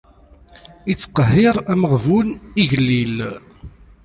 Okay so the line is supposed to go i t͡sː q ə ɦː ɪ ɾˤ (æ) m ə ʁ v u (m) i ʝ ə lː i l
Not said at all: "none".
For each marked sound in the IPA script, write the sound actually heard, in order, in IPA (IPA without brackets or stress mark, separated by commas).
æ, n